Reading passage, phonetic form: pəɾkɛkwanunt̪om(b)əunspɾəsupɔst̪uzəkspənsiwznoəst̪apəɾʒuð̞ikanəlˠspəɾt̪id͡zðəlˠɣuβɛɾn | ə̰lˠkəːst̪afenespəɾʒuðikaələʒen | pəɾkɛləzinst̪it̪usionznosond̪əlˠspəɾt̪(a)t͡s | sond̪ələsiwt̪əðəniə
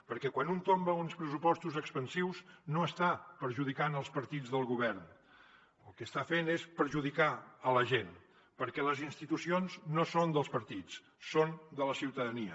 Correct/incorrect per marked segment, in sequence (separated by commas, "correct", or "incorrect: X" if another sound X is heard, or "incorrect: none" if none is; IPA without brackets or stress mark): correct, incorrect: i